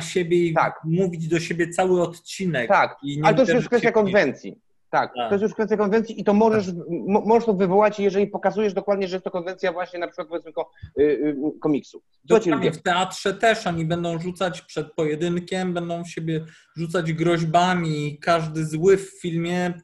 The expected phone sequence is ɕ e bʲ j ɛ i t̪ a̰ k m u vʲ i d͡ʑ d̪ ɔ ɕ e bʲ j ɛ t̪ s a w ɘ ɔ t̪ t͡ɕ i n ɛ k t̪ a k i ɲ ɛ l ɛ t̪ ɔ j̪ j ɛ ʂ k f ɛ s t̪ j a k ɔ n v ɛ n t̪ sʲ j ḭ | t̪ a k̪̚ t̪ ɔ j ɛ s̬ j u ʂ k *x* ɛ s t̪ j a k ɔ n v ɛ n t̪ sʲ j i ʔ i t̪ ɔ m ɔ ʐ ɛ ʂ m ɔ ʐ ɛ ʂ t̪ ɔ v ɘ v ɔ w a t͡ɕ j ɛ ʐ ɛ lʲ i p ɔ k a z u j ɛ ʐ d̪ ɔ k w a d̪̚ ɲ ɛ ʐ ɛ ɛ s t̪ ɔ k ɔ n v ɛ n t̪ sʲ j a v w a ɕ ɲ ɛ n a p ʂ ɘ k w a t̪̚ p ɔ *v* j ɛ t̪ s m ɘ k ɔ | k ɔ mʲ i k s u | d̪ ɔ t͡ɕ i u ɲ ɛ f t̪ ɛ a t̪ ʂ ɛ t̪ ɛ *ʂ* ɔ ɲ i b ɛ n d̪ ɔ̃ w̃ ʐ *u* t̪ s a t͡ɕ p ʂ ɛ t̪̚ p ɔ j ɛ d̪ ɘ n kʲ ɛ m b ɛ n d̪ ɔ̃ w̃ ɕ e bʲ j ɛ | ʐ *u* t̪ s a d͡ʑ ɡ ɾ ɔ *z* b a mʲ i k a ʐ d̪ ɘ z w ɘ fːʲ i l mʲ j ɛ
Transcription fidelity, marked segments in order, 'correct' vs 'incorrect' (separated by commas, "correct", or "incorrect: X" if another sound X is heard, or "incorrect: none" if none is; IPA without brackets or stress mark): incorrect: f, correct, correct, correct, correct, incorrect: ʑ